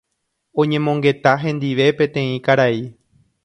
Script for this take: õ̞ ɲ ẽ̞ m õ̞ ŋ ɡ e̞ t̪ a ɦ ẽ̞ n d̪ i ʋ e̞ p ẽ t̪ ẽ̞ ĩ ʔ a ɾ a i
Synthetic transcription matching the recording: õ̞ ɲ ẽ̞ m õ̞ ŋ ɡ e̞ t̪ a ɦ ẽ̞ n d̪ i ʋ e̞ p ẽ t̪ ẽ̞ ĩ k a ɾ a i